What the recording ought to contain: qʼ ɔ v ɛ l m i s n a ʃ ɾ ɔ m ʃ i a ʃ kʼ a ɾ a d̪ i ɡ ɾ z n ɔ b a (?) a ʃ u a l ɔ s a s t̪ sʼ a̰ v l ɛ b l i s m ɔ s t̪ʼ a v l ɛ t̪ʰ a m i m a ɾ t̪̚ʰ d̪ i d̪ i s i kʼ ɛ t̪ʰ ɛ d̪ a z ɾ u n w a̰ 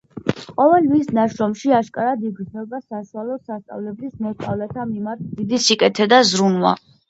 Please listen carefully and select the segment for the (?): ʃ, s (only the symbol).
s